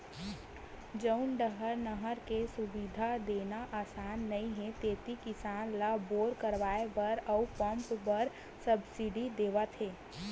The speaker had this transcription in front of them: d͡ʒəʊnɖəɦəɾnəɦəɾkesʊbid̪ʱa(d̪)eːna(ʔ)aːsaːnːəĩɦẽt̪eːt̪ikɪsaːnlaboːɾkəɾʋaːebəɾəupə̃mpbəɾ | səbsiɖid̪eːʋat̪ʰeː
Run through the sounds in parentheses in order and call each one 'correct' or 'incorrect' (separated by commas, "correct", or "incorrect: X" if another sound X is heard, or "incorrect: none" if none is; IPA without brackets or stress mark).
correct, correct